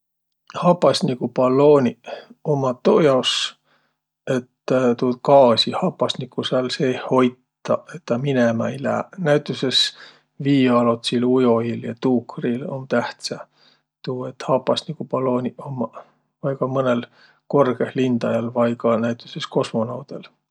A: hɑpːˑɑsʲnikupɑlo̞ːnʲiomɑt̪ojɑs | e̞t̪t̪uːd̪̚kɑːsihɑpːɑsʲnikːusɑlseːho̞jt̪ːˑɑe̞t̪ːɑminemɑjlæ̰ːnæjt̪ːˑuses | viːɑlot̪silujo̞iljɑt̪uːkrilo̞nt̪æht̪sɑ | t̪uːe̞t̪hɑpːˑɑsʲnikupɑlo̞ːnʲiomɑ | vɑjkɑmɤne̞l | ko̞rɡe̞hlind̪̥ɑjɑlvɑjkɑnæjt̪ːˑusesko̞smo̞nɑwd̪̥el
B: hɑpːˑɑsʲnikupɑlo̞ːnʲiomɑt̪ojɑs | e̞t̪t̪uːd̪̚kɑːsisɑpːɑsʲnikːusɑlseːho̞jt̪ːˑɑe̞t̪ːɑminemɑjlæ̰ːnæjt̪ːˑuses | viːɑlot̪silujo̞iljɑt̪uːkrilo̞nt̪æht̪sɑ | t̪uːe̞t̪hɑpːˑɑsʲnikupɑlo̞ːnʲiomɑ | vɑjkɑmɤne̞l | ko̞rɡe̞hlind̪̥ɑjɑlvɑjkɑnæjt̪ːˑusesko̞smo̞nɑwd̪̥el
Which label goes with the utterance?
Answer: A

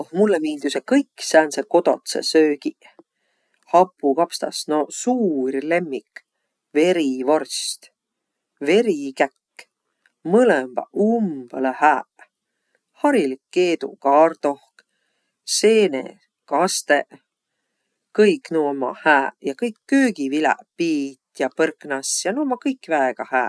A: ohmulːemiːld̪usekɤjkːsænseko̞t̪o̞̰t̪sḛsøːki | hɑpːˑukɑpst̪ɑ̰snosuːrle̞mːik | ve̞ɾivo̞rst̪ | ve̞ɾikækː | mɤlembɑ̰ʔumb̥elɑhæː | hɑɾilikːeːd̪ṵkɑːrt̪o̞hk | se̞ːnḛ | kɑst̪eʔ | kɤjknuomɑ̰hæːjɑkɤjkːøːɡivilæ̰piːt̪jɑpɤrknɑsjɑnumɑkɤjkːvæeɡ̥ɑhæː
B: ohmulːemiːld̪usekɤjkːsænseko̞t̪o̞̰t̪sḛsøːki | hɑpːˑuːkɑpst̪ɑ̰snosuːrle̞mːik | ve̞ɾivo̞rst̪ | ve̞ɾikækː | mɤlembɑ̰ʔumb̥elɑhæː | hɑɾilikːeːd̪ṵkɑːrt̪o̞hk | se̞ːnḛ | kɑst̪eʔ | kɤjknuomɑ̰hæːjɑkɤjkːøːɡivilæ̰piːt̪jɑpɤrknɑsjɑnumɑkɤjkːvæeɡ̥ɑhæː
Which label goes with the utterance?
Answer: A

